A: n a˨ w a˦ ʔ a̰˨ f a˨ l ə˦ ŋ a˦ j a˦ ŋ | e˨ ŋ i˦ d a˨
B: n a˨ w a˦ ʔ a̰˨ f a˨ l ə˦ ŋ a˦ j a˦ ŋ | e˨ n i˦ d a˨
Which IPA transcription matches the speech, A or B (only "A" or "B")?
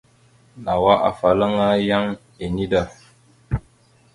B